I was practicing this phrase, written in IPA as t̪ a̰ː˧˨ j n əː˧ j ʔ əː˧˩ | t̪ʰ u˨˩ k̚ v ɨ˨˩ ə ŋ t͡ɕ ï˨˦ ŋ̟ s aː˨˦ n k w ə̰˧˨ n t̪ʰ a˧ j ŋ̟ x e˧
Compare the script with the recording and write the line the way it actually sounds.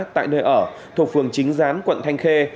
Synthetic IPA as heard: t̪ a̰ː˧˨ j n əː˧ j ʔ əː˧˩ | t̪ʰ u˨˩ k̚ f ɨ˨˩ ə ŋ t͡ɕ ï˨˦ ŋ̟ z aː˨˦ n k w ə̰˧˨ n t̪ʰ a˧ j ŋ̟ x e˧